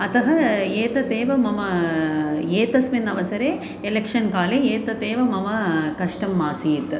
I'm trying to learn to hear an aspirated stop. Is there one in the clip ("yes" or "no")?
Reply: no